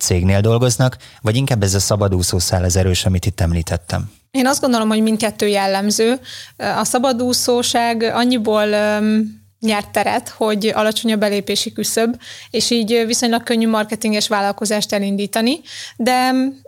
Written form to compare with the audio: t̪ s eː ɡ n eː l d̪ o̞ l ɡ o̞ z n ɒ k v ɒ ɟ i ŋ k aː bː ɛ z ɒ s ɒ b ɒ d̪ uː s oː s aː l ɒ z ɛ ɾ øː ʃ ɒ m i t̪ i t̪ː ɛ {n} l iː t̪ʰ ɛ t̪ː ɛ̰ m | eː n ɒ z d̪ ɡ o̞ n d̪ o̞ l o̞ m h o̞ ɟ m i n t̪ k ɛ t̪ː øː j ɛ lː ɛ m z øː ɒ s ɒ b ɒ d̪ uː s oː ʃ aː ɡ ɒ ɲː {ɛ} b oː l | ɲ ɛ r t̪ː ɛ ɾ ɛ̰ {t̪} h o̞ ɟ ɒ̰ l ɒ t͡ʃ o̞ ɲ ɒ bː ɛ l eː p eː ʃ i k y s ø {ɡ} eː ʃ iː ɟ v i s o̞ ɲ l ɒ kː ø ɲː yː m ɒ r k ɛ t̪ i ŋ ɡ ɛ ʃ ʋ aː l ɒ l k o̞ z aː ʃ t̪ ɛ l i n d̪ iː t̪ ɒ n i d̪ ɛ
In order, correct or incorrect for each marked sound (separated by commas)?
incorrect, incorrect, correct, incorrect